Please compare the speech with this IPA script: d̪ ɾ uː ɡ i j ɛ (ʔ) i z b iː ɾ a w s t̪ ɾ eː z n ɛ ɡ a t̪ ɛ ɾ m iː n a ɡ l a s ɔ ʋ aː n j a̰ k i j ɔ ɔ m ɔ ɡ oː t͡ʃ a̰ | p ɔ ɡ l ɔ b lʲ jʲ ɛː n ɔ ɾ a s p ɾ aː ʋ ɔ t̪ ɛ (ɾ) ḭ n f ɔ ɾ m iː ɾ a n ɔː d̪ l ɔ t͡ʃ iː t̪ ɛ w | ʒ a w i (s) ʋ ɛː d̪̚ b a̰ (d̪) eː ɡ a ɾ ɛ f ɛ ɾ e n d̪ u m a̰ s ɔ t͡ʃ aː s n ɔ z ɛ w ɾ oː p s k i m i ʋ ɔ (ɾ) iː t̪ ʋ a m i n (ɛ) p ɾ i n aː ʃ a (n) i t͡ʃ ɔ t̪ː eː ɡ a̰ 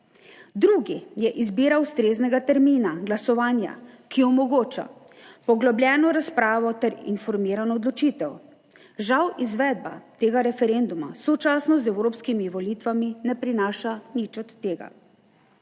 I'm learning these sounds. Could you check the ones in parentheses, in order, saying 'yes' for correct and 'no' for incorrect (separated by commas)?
yes, yes, no, no, no, yes, yes